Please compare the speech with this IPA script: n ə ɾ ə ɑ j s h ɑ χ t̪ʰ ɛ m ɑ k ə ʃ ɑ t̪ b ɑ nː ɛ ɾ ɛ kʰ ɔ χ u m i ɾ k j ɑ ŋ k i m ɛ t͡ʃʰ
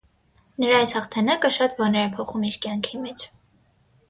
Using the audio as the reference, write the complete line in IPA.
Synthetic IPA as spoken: n ə ɾ ɑ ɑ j s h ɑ χ t̪ʰ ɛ n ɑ k ə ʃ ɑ t̪ b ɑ n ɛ ɾ ɛ pʰ ɔ χ u m i ɾ k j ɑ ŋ kʰ i m ɛ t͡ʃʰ